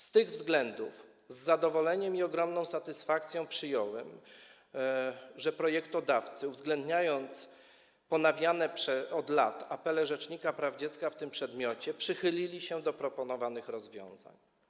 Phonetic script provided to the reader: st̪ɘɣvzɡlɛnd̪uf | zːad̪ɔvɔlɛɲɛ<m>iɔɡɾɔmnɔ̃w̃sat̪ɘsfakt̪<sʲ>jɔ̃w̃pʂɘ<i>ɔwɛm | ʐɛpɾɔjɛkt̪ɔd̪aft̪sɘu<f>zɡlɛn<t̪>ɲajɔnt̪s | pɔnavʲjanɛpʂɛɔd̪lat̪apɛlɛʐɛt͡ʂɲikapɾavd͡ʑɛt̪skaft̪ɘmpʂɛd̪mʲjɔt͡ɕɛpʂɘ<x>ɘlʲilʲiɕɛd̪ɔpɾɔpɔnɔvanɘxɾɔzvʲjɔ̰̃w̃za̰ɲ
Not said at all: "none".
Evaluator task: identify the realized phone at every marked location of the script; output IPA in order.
m, sʲ, j, v, d̪, x

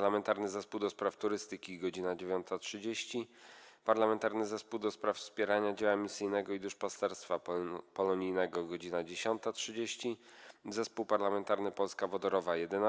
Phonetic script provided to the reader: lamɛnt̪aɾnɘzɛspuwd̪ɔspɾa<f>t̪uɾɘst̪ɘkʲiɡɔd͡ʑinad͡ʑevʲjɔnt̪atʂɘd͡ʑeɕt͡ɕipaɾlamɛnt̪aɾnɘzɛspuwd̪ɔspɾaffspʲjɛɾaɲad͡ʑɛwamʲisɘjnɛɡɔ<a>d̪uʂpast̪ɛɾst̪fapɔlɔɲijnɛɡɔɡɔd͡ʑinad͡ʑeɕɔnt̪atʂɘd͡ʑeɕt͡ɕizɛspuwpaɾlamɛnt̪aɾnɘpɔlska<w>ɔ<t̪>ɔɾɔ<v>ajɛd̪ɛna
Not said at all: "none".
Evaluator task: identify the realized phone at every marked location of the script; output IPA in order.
f, i, v, d̪, v

